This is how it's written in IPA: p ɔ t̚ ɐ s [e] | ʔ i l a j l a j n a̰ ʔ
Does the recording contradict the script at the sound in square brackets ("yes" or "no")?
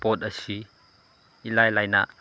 yes